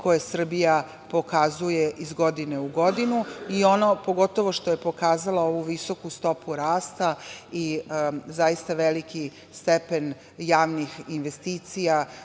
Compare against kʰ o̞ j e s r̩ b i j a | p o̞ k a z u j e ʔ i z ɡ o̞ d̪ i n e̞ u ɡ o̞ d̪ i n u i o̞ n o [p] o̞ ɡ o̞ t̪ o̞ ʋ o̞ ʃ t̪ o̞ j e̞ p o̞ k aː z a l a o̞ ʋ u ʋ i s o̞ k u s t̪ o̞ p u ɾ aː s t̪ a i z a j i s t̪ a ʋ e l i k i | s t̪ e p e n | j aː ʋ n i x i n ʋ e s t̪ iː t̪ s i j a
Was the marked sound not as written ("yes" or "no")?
no